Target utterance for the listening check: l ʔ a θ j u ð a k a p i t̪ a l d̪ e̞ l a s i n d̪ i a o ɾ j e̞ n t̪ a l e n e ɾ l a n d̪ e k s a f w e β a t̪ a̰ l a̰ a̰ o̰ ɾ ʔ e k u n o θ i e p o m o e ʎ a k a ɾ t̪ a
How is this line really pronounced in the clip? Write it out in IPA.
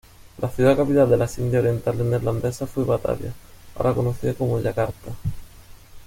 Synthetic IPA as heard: l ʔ a θ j u ð a k a p i t̪ a l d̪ e̞ l a s i n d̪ j a o ɾ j e̞ n t̪ a l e n e ɾ l a n d̪ e s a f w e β a t̪ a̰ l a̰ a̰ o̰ ɾ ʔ a k o n o θ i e k o m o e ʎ a k a ɾ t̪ a